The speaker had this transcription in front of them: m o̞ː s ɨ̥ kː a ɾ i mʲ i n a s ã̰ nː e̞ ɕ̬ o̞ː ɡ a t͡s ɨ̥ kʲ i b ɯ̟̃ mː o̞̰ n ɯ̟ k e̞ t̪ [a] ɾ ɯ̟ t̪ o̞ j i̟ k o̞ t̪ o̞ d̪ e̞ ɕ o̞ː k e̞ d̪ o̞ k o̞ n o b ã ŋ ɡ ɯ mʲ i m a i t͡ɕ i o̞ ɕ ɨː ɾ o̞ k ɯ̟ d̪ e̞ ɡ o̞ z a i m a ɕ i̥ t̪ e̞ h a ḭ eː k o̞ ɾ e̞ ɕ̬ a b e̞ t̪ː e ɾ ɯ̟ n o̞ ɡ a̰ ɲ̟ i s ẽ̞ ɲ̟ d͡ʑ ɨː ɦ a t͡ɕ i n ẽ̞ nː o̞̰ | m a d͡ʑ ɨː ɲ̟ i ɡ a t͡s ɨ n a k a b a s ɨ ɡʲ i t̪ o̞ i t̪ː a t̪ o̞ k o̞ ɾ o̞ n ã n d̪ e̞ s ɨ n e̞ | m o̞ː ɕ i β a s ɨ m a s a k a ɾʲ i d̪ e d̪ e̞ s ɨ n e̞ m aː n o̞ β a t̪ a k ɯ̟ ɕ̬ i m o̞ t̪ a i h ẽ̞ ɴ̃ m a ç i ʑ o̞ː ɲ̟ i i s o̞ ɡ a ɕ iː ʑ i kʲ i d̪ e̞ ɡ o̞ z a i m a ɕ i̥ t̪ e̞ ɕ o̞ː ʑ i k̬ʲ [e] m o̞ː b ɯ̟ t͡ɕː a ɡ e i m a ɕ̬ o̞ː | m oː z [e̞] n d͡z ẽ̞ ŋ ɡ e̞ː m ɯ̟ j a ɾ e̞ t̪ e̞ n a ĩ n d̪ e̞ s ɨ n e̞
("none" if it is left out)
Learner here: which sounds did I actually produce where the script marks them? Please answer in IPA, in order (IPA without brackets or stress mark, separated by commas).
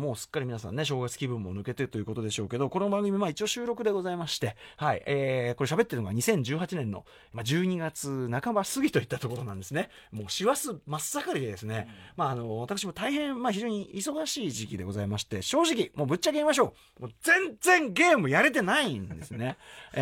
e, i, ẽ̞